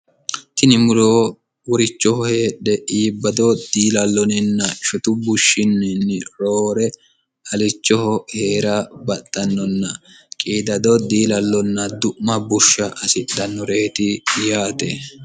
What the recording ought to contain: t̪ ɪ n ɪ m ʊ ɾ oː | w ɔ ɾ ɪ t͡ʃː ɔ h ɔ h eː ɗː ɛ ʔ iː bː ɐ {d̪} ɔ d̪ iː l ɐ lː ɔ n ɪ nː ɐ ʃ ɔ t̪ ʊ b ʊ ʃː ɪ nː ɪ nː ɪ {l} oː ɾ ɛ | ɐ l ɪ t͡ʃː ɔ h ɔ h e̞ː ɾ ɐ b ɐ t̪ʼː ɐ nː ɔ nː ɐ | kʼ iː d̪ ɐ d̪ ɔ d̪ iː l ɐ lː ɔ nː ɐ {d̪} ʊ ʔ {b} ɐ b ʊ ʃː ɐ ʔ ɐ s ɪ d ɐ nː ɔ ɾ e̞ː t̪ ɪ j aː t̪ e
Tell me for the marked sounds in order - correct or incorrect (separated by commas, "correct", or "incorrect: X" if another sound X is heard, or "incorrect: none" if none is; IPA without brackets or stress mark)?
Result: correct, incorrect: ɾ, correct, incorrect: m